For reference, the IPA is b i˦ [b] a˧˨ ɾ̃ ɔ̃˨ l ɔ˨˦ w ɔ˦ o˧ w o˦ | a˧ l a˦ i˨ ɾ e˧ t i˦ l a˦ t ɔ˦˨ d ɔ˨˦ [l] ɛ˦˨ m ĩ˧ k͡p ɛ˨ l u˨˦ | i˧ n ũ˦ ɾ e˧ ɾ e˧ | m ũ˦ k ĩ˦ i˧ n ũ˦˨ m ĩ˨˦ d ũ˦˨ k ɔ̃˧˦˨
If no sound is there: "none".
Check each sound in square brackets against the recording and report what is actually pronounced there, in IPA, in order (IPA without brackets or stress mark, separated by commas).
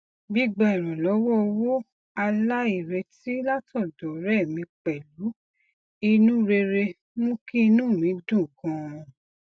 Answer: ɡ͡b, ɾ